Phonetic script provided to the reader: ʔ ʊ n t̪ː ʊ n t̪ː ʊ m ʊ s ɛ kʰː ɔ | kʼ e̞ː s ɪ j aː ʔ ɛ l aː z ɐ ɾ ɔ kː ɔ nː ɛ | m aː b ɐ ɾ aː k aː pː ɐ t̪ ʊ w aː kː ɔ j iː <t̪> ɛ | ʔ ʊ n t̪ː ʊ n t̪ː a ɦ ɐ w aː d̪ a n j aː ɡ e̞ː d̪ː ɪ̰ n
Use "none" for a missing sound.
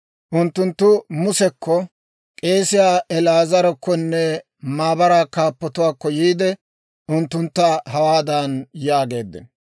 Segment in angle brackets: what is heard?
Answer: d̪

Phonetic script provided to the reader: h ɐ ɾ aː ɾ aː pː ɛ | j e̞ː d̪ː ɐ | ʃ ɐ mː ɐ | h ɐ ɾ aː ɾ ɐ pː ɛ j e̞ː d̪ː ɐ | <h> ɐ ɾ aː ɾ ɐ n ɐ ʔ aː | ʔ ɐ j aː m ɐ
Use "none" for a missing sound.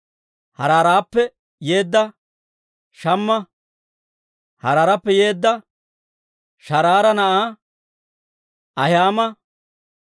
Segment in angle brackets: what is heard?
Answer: ʃ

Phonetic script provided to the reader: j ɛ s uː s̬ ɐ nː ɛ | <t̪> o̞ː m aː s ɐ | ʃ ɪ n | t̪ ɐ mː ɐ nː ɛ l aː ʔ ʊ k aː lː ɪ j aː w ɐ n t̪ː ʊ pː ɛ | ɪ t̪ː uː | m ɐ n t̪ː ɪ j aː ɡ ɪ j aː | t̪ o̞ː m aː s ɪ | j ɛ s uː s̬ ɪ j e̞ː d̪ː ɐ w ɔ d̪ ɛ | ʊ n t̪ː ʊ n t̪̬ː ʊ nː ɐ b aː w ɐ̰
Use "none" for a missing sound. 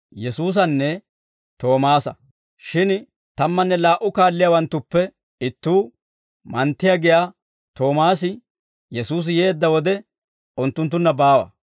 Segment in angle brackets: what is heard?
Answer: t̪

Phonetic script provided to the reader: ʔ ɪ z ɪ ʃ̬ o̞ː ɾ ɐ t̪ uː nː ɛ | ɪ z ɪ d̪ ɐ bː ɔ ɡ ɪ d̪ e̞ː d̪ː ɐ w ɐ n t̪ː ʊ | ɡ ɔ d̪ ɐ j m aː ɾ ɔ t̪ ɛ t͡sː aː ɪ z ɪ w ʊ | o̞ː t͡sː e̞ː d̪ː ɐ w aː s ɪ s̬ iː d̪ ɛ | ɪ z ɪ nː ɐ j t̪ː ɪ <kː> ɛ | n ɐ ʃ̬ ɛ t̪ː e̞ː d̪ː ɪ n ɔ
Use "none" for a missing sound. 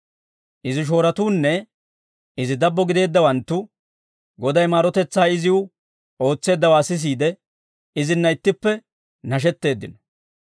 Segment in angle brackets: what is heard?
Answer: pː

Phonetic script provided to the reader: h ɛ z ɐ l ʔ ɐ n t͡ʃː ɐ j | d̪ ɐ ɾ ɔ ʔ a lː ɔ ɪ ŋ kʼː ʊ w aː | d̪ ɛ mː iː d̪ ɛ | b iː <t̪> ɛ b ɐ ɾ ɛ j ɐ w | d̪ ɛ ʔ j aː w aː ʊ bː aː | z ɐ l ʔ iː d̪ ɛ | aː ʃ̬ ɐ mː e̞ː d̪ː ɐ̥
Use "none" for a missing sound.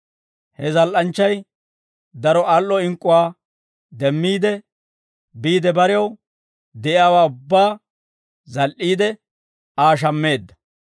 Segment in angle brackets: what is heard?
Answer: d̪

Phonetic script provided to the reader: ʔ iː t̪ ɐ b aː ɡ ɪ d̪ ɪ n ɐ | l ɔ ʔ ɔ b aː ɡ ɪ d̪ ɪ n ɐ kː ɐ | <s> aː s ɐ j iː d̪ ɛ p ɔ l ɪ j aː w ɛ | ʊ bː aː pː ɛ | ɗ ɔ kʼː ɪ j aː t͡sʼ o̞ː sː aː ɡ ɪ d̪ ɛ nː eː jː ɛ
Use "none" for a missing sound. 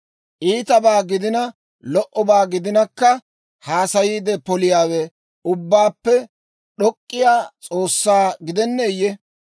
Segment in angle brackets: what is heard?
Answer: h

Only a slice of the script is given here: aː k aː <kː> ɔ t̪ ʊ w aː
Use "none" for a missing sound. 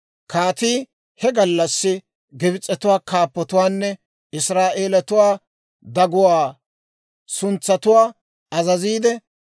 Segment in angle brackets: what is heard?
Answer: pː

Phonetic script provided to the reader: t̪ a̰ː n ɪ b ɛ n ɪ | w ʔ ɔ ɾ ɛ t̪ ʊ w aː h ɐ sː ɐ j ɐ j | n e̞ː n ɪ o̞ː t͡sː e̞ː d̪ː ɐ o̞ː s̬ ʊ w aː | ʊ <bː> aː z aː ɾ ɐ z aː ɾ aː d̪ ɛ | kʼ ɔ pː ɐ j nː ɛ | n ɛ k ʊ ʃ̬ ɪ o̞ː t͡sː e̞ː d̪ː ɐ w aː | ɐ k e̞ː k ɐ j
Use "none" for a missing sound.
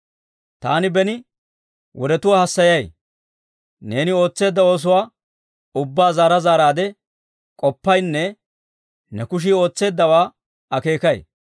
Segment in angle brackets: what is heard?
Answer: bː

